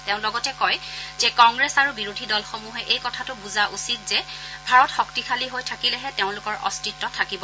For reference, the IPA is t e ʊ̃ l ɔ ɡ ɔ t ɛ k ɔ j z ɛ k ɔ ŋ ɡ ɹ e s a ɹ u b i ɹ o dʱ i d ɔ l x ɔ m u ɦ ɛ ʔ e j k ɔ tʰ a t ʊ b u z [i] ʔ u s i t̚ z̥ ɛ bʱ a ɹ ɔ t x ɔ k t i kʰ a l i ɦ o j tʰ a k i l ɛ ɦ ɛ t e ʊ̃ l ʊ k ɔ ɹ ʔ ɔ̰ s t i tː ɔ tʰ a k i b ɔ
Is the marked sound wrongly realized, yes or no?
yes